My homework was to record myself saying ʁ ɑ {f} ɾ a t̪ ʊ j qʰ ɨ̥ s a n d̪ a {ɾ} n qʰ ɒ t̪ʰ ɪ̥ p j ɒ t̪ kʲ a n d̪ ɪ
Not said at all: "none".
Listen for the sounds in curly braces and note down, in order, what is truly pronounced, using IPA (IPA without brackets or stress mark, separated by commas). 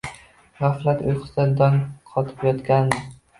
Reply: f, none